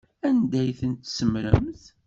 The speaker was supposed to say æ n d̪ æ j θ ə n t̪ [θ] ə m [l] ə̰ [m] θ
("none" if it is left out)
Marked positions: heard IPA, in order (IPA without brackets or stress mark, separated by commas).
s, ɾ, m